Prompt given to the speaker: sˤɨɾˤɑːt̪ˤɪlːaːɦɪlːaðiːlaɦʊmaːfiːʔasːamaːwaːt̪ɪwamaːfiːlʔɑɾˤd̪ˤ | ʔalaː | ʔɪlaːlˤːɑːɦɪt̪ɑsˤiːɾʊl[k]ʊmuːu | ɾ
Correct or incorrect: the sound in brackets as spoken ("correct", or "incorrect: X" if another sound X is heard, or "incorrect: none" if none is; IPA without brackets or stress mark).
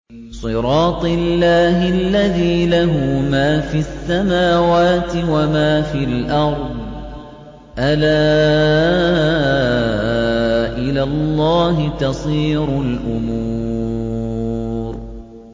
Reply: incorrect: ʔ